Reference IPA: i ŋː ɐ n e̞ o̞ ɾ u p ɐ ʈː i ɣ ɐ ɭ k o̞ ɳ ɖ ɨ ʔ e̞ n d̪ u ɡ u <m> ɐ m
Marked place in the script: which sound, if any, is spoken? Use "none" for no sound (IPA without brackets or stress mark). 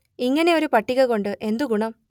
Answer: ɳ